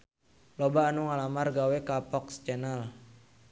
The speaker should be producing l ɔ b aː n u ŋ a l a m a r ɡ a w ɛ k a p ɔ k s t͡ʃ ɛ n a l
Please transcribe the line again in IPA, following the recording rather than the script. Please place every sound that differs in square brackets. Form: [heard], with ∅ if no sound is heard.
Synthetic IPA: l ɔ b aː n u ŋ a l a m a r ɡ a w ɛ k a p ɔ k s t͡ʃ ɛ n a l